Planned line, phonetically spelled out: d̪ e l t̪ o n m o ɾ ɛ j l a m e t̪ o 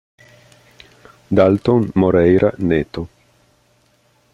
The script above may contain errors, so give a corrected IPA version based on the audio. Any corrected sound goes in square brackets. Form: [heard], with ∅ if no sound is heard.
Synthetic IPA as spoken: d̪ [a] l t̪ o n m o ɾ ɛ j [ɾ] a [n] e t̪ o